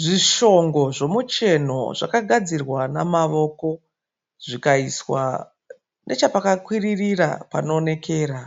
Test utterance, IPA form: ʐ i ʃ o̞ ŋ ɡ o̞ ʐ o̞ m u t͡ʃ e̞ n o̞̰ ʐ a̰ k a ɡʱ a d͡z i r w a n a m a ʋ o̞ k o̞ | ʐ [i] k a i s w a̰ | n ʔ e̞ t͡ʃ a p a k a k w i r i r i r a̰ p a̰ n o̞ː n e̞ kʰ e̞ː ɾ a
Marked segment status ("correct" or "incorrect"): correct